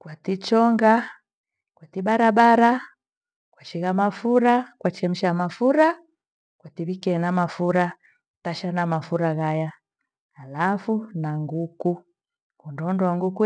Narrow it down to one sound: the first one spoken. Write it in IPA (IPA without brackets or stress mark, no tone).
k